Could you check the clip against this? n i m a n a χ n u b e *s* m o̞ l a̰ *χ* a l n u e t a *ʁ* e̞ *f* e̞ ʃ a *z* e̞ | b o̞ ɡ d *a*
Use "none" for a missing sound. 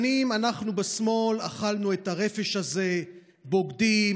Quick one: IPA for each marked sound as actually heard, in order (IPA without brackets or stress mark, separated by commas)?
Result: s, χ, ʁ, f, z, i